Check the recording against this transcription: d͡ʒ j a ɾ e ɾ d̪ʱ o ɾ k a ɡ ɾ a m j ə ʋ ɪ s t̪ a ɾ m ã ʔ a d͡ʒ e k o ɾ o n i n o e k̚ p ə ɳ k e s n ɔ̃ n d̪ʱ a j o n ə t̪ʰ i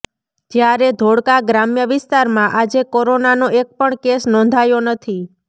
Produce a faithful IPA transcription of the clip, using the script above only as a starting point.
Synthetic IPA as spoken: d͡ʒ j a ɾ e d̪ʱ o ɽ k a ɡ ɾ a m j ə ʋ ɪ s t̪ a ɾ m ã ʔ a d͡ʒ e k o ɾ o n a n o e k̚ p ə ɳ k e s n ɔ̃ n d̪ʱ a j o n ə t̪ʰ i